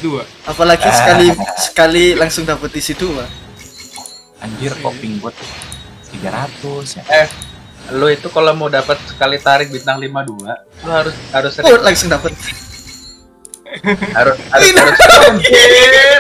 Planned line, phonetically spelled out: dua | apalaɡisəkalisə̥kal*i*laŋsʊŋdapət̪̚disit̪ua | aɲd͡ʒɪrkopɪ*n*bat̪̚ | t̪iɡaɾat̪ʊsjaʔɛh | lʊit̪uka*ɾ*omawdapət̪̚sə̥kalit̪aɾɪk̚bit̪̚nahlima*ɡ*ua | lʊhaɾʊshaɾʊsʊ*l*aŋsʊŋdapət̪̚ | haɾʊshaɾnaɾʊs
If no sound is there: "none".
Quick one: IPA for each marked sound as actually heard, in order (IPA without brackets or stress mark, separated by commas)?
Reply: i, ŋ, l, d, l